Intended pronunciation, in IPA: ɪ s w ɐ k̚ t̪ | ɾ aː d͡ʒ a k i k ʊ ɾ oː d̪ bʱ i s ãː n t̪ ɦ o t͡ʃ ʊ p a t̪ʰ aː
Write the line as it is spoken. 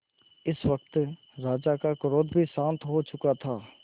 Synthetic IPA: ɪ s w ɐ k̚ t̪ | ɾ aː d͡ʒ a k a k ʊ ɾ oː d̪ bʱ i s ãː n t̪ ɦ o t͡ʃ ʊ k a t̪ʰ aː